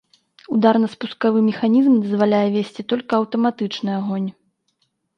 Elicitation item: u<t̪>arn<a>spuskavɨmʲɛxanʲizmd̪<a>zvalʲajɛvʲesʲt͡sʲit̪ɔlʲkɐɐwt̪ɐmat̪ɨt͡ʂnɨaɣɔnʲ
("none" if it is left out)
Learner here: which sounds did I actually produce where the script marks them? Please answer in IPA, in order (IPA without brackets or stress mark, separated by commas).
d̪, ɐ, ɐ